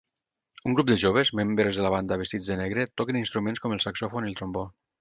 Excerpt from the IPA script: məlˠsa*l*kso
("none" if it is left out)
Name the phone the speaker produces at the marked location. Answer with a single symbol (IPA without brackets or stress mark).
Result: none